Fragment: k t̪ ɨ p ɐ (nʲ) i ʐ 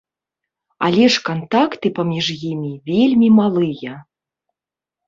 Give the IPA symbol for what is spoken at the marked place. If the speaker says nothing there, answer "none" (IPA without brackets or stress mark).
mʲ